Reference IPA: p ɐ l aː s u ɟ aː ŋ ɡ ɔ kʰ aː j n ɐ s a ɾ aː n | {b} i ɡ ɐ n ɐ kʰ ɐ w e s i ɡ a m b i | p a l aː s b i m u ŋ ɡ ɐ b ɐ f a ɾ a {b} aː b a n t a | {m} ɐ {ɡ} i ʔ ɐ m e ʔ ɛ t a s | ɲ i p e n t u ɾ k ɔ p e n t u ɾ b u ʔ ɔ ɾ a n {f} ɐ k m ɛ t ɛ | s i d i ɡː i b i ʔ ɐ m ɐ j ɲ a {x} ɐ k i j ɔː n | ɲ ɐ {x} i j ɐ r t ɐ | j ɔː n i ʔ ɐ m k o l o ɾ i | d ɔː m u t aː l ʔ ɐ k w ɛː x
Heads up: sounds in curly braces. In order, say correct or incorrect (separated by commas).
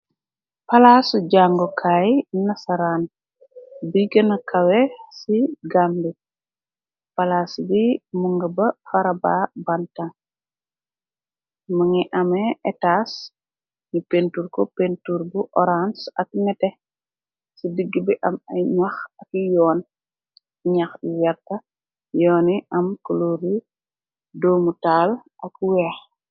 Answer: correct, correct, correct, incorrect, incorrect, correct, correct